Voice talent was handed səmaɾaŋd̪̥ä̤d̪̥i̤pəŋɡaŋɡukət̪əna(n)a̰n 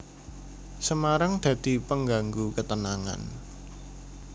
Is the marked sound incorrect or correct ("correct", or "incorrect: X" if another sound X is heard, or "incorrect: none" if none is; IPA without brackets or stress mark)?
incorrect: ŋ